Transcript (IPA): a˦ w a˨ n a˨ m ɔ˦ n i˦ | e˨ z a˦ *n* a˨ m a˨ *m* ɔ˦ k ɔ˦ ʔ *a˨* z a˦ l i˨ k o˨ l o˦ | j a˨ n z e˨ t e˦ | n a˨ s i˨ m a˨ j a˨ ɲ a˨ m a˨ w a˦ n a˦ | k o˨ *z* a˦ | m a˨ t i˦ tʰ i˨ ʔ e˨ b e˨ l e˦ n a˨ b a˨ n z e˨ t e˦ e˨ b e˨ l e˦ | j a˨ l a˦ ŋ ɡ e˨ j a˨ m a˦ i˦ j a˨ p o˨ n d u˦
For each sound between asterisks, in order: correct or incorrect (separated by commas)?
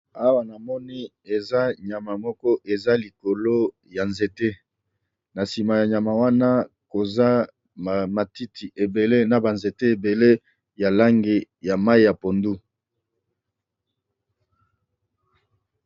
incorrect, correct, incorrect, correct